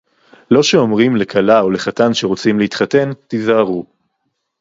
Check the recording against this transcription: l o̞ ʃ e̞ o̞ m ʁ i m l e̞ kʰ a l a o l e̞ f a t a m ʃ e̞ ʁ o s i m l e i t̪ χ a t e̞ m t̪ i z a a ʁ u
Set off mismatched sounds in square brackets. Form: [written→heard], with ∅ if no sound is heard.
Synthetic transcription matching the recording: l o̞ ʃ e̞ o̞ m ʁ i m l e̞ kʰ a l a o l e̞ [f→χ] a t a [m→n] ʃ e̞ ʁ o [s→t͡s] i m l e i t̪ χ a t e̞ [m→n] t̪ i z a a ʁ u